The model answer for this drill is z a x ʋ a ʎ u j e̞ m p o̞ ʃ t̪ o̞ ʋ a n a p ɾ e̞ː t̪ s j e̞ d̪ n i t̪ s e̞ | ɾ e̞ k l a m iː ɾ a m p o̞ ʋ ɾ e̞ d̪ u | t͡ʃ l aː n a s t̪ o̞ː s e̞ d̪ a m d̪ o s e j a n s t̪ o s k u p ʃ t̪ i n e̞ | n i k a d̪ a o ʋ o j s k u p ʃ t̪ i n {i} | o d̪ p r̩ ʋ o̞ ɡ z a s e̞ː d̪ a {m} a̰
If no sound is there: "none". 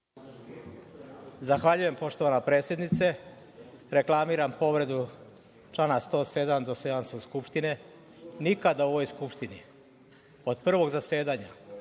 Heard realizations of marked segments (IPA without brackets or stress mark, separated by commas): i, ɲ